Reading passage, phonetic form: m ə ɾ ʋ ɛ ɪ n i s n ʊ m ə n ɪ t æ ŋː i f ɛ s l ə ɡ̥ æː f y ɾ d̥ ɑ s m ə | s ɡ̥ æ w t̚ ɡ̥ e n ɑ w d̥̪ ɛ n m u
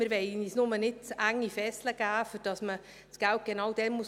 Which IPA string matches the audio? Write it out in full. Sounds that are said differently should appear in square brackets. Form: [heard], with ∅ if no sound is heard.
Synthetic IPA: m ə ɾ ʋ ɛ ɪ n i s n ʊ m ə n ɪ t æ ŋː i f ɛ s l ə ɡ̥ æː f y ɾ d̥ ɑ s m ə | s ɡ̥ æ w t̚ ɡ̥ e n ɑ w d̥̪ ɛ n m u